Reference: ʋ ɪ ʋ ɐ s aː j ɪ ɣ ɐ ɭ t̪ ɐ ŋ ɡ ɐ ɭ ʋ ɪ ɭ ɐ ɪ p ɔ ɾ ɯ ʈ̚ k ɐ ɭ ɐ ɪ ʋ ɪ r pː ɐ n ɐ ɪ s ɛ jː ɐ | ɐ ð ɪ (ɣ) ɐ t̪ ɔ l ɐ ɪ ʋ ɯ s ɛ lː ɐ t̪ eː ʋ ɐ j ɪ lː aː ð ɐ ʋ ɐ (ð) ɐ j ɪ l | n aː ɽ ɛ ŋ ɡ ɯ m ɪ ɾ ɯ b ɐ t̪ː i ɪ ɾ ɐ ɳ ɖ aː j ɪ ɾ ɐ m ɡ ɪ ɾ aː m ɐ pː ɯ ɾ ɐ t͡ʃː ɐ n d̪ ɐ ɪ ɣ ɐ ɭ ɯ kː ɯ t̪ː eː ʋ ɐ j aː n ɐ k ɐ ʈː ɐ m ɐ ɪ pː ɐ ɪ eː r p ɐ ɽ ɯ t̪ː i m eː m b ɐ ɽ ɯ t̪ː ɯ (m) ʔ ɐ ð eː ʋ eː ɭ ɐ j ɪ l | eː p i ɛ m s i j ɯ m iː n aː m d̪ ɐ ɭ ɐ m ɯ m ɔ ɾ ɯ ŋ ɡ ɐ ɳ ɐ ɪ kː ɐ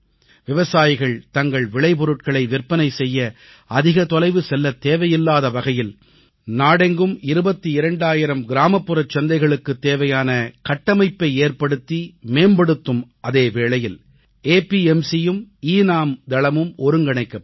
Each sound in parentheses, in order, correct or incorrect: correct, incorrect: ɣ, correct

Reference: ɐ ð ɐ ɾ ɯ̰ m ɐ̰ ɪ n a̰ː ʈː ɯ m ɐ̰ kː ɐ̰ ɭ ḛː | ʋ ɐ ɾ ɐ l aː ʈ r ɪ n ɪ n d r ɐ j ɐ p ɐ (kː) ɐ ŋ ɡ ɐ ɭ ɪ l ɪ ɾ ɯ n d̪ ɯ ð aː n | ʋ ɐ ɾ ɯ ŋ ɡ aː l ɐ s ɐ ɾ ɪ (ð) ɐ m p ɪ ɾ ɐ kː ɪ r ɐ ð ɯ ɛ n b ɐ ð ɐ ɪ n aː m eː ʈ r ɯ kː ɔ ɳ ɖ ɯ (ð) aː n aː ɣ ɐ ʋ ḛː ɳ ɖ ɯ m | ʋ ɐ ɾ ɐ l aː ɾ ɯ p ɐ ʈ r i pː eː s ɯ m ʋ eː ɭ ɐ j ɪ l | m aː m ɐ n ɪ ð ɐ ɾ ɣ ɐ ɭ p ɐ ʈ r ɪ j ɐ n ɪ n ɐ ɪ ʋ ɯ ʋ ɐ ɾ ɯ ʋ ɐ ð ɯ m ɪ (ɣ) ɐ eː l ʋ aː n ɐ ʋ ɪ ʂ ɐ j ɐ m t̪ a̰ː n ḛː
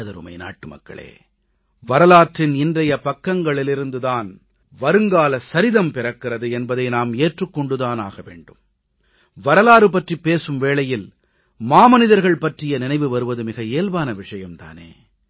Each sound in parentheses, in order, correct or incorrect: correct, correct, correct, correct

